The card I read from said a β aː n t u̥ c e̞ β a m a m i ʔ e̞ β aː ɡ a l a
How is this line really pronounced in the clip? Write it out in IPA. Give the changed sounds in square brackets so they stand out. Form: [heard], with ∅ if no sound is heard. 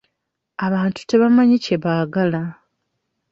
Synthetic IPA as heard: a β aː n t u̥ [t] e̞ β a m a [ɲ] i [c] e̞ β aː ɡ a l a